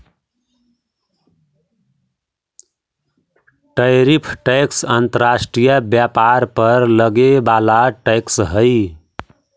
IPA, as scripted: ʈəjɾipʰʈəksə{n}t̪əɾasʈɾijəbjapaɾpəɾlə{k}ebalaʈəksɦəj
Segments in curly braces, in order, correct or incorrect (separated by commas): correct, incorrect